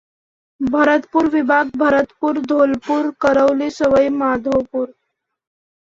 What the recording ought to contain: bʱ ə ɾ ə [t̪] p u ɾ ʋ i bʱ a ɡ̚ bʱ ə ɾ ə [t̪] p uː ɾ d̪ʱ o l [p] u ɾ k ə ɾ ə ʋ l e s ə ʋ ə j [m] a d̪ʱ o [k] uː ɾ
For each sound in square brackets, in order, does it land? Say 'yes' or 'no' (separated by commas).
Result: yes, yes, yes, yes, no